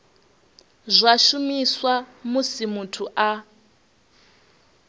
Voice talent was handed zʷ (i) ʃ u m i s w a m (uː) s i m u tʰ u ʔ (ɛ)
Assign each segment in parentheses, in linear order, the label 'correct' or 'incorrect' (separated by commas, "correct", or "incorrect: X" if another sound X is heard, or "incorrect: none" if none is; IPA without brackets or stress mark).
incorrect: a, incorrect: u, incorrect: a